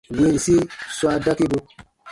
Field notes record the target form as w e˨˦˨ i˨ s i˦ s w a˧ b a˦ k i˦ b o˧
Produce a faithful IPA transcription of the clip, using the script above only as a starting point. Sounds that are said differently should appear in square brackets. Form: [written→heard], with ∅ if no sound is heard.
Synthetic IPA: w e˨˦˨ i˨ s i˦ s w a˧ [b→d] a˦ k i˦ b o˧